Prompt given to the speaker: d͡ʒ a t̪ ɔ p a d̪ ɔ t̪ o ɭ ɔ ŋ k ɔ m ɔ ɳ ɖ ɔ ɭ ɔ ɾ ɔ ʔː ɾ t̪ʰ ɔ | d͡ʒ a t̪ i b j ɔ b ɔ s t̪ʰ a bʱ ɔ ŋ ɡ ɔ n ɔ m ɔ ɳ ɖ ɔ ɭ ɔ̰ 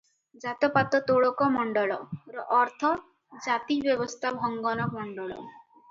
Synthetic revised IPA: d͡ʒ a t̪ ɔ p a t̪ ɔ t̪ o ɭ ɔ k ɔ m ɔ ɳ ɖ ɔ ɭ ɔ ɾ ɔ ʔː ɾ t̪ʰ ɔ | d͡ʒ a t̪ i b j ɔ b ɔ s t̪ʰ a bʱ ɔ ŋ ɡ ɔ n ɔ m ɔ ɳ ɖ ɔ ɭ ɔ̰